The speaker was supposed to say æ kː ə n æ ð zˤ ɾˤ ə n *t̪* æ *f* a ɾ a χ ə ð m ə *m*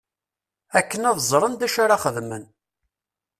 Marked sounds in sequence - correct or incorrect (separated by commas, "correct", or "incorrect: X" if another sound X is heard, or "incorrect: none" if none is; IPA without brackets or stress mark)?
incorrect: d̪, incorrect: ʃ, incorrect: n